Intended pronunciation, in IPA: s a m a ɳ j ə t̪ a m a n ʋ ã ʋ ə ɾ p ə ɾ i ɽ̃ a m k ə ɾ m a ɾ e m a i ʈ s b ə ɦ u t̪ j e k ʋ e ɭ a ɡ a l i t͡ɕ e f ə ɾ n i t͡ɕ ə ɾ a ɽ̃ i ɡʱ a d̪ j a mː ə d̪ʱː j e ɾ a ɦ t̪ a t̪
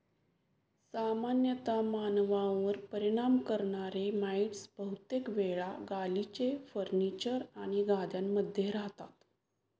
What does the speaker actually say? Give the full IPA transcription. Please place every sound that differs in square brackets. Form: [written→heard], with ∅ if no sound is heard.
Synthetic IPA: s a m a [ɳ→n] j ə t̪ a m a n ʋ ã ʋ ə ɾ p ə ɾ i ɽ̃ a m k ə ɾ [m→ɳ] a ɾ e m a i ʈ s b ə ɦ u t̪ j e k ʋ e ɭ a ɡ a l i t͡ɕ e f ə ɾ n i t͡ɕ ə ɾ a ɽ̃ i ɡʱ a d̪ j a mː ə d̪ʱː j e ɾ a ɦ t̪ a t̪